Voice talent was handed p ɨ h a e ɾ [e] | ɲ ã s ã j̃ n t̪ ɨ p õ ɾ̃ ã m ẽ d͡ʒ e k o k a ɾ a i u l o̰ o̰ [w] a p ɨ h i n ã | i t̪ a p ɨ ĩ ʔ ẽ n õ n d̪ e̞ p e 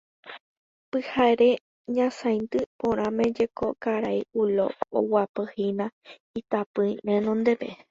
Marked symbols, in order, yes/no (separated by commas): yes, yes